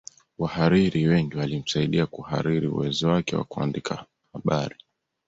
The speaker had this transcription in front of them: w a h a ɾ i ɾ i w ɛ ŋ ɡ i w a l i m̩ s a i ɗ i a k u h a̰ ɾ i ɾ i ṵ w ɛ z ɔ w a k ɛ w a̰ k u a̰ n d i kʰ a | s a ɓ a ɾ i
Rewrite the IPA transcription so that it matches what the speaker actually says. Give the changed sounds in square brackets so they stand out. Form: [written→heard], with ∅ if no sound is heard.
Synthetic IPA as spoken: w a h a ɾ i ɾ i w ɛ ŋ ɡ i w a l i m̩ s a i ɗ i a k u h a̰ ɾ i ɾ i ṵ w ɛ z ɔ w a k ɛ w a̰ k u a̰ n d i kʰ a | [s→h] a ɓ a ɾ i